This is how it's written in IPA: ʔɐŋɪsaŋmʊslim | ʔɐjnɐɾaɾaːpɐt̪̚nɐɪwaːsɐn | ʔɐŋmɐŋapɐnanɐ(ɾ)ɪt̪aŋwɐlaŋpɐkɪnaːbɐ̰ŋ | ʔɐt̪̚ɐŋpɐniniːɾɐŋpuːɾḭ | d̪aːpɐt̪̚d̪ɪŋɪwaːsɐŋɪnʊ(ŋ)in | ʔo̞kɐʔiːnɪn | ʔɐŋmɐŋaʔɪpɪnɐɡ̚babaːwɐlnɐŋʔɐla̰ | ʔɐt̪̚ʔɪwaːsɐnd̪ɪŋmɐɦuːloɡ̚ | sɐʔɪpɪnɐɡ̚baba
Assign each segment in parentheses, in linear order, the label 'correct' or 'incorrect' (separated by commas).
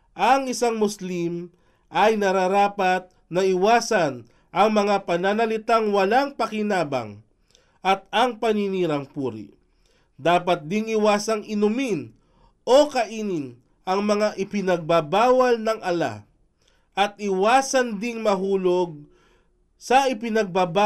incorrect, incorrect